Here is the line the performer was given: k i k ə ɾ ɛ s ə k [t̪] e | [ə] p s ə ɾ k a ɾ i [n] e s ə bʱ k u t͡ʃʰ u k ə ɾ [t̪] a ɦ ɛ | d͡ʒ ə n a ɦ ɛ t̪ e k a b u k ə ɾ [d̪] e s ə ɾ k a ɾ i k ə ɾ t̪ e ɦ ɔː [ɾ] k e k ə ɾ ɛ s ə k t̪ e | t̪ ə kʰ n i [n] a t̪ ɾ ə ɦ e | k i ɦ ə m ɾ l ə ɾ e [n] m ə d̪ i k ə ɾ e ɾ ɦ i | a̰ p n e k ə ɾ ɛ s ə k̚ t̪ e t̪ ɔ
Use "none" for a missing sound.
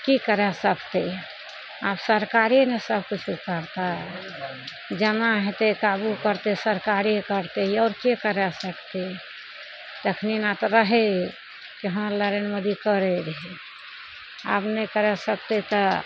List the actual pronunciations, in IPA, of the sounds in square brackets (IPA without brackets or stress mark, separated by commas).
t̪, a, n, t̪, t̪, ɾ, n, n